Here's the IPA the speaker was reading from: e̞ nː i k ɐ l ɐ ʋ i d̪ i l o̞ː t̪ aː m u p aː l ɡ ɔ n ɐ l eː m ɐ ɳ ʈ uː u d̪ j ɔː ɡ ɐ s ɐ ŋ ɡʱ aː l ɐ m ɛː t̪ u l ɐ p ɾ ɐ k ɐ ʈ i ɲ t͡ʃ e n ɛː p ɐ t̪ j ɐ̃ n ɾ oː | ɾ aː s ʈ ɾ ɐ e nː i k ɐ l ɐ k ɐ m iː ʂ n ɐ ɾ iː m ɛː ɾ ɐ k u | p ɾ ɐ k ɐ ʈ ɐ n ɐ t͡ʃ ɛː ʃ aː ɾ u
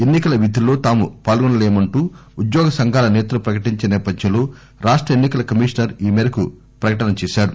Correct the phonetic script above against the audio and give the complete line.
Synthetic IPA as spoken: e̞ nː i k ɐ l ɐ ʋ i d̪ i l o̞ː t̪ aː m u p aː l ɡ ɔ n ɐ l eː m ɐ ɳ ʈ uː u d̪ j ɔː ɡ ɐ s ɐ ŋ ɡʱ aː l ɐ n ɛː t̪ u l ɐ p ɾ ɐ k ɐ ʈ i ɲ t͡ʃ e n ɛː p ɐ d̪ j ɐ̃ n l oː | ɾ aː ʂ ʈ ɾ ɐ e nː i k ɐ l ɐ k ɐ m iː ʂ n ɐ ɾ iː m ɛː ɾ ɐ k u | p ɾ ɐ k ɐ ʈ ɐ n ɐ t͡ʃ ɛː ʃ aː ɾ u